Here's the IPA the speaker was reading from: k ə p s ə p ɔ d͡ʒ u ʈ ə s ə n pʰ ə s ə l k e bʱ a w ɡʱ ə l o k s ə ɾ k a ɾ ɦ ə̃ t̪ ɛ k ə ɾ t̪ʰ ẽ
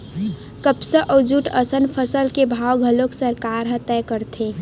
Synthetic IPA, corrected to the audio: k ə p s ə ʔ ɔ d͡ʒ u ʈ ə s ə n pʰ ə s ə l k e bʱ a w ɡʱ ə l o k s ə ɾ k a ɾ ɦ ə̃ t̪ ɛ k ə ɾ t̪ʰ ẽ